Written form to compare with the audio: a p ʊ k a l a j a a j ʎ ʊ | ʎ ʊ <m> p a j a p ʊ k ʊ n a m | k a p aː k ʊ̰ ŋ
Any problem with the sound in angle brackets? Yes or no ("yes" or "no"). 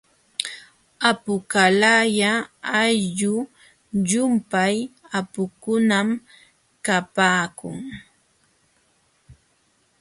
no